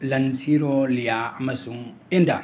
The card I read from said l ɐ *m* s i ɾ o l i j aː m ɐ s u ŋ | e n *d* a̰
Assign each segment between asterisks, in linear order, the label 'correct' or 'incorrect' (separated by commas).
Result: incorrect, correct